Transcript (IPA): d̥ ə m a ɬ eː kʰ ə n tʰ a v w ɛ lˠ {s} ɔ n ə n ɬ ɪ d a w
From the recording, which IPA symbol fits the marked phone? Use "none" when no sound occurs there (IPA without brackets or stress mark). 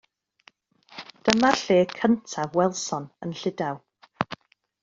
s